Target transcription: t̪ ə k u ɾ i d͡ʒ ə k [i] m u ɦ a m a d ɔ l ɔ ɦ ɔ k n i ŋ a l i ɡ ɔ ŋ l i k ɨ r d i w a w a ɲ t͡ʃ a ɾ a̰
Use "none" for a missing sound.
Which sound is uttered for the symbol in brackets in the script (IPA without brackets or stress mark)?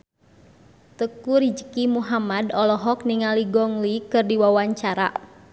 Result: i